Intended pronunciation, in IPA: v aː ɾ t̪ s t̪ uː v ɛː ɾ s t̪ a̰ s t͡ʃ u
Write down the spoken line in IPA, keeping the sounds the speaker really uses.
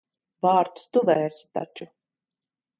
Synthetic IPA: v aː ɾ t̪ s t̪ u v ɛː ɾ s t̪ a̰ t͡ʃ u

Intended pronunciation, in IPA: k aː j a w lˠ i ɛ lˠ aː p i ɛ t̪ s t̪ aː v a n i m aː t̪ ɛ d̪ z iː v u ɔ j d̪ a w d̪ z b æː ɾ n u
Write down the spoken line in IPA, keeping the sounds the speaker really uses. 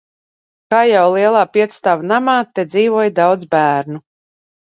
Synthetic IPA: k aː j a w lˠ i ɛ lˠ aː p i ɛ t̪ s t̪ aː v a n a m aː t̪ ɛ d̪ z iː v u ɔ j d̪ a w d̪ z b æː ɾ n u

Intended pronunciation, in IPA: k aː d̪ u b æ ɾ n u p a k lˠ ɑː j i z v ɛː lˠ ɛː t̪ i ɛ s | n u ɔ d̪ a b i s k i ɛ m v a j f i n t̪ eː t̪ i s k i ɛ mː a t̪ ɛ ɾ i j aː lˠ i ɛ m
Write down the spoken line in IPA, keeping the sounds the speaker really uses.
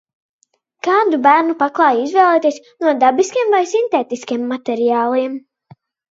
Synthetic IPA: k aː d̪ u b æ ɾ n u p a k lˠ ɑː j i z v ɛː lˠ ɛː t̪ i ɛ s | n u ɔ d̪ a b i s k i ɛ m v a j s i n t̪ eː t̪ i s k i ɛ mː a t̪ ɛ ɾ i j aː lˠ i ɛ m

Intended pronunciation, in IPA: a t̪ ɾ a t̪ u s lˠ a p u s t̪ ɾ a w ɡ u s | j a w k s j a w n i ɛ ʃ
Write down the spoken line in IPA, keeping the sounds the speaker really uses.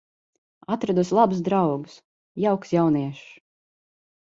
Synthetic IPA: a t̪ ɾ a d̪ u s lˠ a b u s d̪ ɾ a w ɡ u s | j a w k s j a w n i ɛ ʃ

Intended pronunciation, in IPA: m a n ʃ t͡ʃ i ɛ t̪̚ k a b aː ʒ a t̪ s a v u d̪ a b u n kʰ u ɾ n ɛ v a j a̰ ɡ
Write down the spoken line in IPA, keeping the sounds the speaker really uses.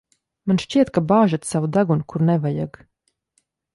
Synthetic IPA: m a n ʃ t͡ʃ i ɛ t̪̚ k a b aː ʒ a t̪ s a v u d̪ a ɡ u n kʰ u ɾ n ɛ v a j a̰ ɡ

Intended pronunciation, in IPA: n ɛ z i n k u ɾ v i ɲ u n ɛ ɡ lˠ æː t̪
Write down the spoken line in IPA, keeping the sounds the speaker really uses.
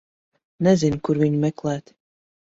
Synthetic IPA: n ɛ z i n k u ɾ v i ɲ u m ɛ k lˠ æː t̪

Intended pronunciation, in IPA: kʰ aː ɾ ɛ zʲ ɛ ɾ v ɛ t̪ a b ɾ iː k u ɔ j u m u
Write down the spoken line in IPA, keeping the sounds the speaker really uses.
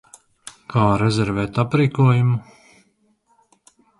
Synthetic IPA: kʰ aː ɾ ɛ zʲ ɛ ɾ v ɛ t̪ a p ɾ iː k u ɔ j u m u

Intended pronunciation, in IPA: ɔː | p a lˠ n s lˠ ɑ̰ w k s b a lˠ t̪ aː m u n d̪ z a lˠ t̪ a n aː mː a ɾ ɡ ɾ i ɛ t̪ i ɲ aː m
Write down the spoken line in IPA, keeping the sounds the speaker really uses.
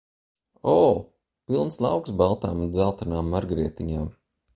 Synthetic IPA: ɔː | p i lˠ n s lˠ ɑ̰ w k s b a lˠ t̪ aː m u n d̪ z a lˠ t̪ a n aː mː a ɾ ɡ ɾ i ɛ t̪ i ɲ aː m

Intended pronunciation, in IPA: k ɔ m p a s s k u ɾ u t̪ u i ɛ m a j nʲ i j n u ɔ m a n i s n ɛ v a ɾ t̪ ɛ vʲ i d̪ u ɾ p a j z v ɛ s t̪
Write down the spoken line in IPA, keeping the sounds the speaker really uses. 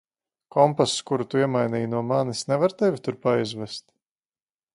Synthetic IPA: k ɔ m p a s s k u ɾ u t̪ u i ɛ m a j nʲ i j n u ɔ m a n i s n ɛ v a ɾ t̪ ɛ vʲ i t̪ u ɾ p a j z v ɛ s t̪

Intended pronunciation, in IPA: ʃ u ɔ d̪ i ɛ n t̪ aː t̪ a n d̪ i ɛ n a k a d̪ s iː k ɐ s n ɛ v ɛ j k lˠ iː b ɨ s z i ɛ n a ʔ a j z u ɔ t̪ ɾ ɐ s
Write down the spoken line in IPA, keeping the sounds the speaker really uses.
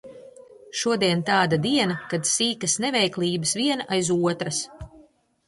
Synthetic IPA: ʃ u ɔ d̪ i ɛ n t̪ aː d̪ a d̪ i ɛ n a k a d̪ s iː k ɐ s n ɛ v ɛ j k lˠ iː b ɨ s v i ɛ n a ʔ a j z u ɔ t̪ ɾ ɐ s

